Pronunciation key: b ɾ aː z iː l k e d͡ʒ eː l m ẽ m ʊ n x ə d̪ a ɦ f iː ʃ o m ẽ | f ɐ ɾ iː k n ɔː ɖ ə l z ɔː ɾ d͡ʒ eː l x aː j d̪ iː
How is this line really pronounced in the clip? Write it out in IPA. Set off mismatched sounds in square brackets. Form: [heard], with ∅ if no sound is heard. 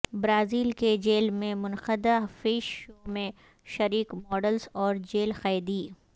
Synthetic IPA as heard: b ɾ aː z iː l k e d͡ʒ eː l m ẽ m ʊ n x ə d̪ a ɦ f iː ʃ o m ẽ | [ʃ] ɐ ɾ iː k [m] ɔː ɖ ə l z ɔː ɾ d͡ʒ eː l x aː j d̪ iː